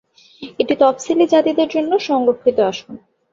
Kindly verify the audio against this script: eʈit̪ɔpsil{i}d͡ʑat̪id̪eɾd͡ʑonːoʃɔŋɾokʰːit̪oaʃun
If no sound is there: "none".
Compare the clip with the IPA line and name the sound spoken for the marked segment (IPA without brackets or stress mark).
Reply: i